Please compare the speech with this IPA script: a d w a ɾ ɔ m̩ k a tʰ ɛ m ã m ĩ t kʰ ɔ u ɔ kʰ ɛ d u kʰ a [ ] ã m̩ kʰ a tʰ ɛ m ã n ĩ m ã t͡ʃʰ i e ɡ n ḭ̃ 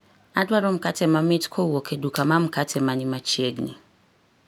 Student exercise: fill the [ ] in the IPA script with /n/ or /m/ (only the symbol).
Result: m